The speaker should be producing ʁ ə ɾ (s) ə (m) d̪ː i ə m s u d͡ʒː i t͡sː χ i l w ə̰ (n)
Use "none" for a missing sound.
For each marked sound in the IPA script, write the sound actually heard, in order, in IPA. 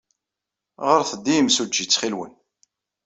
θ, none, n

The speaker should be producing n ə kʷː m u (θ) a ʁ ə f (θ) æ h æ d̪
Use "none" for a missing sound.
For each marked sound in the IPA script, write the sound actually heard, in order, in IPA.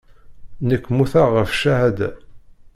θ, ʃ

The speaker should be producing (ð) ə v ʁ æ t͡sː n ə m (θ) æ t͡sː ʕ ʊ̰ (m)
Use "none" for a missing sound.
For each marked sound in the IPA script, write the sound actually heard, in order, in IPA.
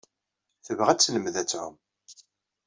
θ, ð, m

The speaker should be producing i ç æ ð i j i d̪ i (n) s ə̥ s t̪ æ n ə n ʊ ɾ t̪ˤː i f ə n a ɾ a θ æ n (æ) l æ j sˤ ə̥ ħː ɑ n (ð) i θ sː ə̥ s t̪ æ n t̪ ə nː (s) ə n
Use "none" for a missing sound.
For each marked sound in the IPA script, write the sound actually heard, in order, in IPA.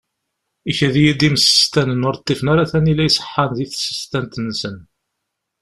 m, i, ð, s

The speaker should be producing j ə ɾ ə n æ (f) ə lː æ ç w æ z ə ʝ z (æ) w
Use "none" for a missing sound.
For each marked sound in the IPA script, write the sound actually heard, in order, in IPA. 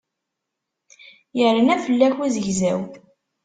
f, æ

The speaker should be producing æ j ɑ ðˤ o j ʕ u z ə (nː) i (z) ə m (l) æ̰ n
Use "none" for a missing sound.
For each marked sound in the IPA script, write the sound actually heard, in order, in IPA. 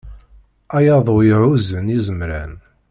n, z, ɾ

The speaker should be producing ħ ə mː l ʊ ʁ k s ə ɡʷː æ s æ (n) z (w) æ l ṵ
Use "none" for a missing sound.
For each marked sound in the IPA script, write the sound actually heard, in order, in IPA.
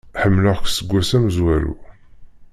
m, w

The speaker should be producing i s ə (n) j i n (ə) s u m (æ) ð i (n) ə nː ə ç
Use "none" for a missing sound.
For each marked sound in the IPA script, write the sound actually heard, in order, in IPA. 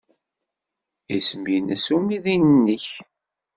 m, ə, i, n

